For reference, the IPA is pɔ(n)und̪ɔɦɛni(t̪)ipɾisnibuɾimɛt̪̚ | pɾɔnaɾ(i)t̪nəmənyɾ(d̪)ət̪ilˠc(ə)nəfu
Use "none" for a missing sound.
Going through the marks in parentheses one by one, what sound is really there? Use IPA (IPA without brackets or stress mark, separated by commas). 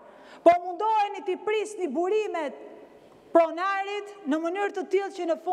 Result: m, t̪, i, t̪, ə